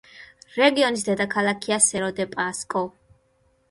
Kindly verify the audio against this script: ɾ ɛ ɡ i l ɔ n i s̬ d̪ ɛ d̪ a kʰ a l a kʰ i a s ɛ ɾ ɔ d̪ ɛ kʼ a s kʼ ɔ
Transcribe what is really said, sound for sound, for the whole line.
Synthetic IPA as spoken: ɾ ɛ ɡ i ɔ n i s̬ d̪ ɛ d̪ a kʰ a l a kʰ i a s ɛ ɾ ɔ d̪ ɛ pʼ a s kʼ ɔ

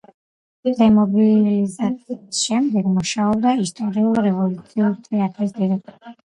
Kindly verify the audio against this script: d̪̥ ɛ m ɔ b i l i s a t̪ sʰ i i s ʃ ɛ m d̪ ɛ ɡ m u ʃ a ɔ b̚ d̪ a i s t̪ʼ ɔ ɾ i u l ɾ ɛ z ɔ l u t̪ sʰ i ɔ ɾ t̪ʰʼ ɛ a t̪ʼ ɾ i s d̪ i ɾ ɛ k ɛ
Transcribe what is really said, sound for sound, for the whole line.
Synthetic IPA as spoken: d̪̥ ɛ m ɔ b i l i z a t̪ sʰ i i s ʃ ɛ m d̪ ɛ ɡ m u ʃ a ɔ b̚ d̪ a i s t̪ʼ ɔ ɾ i u l ɾ ɛ v ɔ l u t̪ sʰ i u ɾ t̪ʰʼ ɛ a t̪ʼ ɾ i s d̪ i ɾ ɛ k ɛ

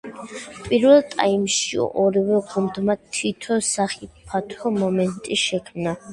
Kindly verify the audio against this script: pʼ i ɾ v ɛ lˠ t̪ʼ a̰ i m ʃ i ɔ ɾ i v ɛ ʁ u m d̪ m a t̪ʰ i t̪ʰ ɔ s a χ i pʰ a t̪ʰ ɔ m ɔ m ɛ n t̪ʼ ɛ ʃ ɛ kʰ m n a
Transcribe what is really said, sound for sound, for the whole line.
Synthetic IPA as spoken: pʼ i ɾ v ɛ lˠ t̪ʼ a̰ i m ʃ i ɔ ɾ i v ɛ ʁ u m d̪ m a t̪ʰ i t̪ʰ ɔ s a χ i pʰ a t̪ʰ ɔ m ɔ m ɛ n t̪ʼ i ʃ ɛ kʰ m n a

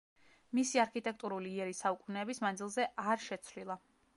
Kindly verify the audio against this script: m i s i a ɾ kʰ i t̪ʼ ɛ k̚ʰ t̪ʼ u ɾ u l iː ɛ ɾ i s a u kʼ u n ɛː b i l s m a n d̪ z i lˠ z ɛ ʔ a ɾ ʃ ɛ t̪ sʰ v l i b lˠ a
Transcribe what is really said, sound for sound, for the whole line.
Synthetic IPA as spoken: m i s i a ɾ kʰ i t̪ʼ ɛ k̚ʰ t̪ʼ u ɾ u l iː ɛ ɾ i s a u kʼ u n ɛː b i s m a n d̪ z i lˠ z ɛ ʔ a ɾ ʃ ɛ t̪ sʰ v l i lˠ a

